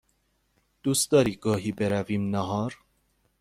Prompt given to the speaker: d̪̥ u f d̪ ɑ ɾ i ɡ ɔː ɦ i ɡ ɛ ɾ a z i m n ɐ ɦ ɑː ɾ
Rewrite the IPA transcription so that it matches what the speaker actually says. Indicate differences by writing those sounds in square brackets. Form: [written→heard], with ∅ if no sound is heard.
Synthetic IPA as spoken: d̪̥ u [f→s] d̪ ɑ ɾ i ɡ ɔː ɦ i [ɡ→b] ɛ ɾ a [z→v] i m n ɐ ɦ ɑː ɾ